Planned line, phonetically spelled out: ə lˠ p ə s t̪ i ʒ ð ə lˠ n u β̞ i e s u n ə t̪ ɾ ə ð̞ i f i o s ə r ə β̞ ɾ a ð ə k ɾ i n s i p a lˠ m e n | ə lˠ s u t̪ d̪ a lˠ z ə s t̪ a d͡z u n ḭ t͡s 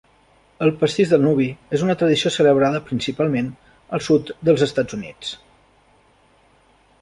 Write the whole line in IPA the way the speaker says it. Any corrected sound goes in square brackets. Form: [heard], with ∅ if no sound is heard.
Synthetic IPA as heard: ə lˠ p ə s t̪ i ʒ ð ə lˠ n u β̞ i e [z] u n ə t̪ ɾ ə ð̞ i [s] i o s ə [l] ə β̞ ɾ a ð ə [p] ɾ i n s i p a lˠ m e n | ə lˠ s u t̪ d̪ [ə] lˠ z ə s t̪ a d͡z u n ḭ t͡s